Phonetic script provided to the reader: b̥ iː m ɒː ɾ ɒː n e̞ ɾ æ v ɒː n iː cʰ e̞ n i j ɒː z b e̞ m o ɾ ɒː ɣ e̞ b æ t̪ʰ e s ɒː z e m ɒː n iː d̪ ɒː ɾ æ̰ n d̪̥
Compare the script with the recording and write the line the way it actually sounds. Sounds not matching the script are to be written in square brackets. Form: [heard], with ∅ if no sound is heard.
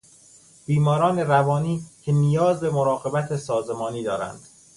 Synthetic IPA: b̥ iː m ɒː ɾ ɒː n e̞ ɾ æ v ɒː n iː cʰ e̞ n i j ɒː z b e̞ m o ɾ ɒː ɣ e̞ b æ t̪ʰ e s ɒː z e m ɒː n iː d̪ ɒː ɾ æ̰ n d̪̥